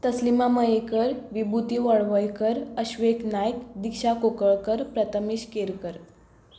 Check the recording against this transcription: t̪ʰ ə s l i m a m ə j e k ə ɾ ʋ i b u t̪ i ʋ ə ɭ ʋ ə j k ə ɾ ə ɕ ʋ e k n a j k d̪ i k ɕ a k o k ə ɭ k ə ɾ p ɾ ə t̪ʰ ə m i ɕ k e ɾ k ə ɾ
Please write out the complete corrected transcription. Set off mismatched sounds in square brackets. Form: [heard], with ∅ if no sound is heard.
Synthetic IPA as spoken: [t̪] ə s l i m a m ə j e k ə ɾ ʋ i b u t̪ i ʋ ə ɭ ʋ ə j k ə ɾ ə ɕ ʋ e k n a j k d̪ i k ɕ a k o k ə ɭ k ə ɾ p ɾ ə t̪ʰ ə m i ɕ k e ɾ k ə ɾ